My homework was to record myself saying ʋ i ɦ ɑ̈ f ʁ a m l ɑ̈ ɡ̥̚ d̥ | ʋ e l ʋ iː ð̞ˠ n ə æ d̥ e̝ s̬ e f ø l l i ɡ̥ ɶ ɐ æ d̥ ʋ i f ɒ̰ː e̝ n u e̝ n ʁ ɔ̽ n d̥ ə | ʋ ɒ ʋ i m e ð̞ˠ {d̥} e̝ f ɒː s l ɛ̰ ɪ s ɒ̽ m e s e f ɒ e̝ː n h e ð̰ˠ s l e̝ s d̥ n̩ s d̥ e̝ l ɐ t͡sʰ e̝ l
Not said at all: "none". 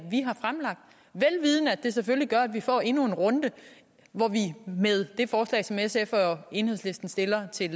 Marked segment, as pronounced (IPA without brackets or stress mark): d̥